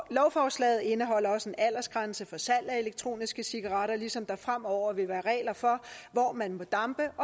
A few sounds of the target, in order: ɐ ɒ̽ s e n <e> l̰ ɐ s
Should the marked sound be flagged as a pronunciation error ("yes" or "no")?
yes